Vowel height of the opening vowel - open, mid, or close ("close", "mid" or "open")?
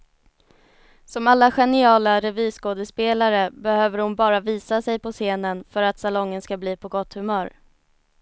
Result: mid